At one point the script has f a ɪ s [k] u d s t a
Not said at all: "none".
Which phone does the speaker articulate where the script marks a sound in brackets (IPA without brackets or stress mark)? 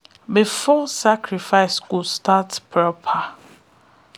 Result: k